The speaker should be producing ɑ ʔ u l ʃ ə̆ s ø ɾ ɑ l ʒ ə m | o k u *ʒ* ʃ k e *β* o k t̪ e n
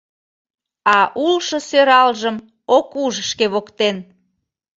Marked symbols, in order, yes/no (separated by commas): yes, yes